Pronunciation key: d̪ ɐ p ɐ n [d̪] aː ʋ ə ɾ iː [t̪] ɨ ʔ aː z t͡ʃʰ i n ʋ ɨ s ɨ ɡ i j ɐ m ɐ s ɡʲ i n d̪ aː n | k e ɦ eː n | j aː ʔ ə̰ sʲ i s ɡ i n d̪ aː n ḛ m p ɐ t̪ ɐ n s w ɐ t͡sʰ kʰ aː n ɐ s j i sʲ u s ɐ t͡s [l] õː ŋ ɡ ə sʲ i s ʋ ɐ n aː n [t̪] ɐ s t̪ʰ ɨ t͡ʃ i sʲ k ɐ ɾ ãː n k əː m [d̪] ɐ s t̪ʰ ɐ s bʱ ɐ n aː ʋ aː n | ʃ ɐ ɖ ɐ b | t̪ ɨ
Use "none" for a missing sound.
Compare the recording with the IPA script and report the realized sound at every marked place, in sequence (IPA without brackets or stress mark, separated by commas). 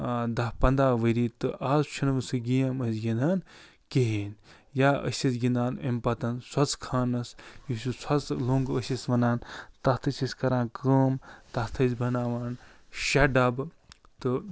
d̪, t̪, l, t̪, t̪